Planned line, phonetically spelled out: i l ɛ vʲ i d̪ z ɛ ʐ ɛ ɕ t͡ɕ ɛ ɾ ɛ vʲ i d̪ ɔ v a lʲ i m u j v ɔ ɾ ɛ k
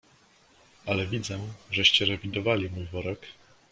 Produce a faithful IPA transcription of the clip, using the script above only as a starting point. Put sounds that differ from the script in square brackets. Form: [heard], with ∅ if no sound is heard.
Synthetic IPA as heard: [a] l ɛ vʲ i d̪ z ɛ ʐ ɛ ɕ t͡ɕ ɛ ɾ ɛ vʲ i d̪ ɔ v a lʲ i m u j v ɔ ɾ ɛ k